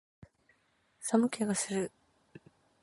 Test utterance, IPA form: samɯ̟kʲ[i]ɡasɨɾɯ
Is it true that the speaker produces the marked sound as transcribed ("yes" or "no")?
no